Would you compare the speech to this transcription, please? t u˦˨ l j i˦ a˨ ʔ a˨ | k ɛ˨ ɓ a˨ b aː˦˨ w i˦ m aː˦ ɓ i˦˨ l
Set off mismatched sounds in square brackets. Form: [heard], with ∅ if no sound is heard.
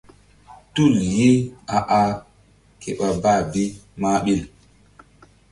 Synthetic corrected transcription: t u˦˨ l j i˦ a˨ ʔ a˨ | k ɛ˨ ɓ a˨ b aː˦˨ [b] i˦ m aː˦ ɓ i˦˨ l